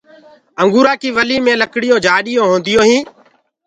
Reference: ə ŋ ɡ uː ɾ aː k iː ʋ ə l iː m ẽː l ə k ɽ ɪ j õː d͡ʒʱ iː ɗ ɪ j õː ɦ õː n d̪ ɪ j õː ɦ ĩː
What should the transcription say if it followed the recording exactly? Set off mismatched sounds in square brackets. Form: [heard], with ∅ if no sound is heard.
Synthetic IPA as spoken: ə ŋ ɡ uː ɾ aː k iː ʋ ə l iː m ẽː l ə k ɽ ɪ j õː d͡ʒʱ [aː] ɗ ɪ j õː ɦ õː n d̪ ɪ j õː ɦ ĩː